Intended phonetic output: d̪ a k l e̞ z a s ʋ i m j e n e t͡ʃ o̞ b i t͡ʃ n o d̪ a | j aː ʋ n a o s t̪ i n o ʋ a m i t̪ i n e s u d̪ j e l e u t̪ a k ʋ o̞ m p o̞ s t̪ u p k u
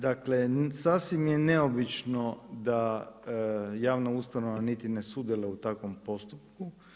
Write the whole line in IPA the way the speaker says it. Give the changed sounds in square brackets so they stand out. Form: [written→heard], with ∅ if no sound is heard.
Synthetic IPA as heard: d̪ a k l e̞ [z→s] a s ʋ i m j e n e [t͡ʃ→∅] o̞ b i t͡ʃ n o d̪ a | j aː ʋ n a [o→u] s t̪ [i→a] n o ʋ a [m→n] i t̪ i n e s u d̪ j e l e u t̪ a k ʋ o̞ m p o̞ s t̪ u p k u